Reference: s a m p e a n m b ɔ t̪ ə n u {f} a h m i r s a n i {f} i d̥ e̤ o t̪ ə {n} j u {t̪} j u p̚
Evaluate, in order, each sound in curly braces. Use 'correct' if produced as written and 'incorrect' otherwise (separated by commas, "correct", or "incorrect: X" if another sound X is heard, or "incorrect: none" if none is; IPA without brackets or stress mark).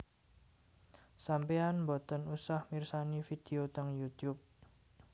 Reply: incorrect: s, correct, incorrect: ŋ, correct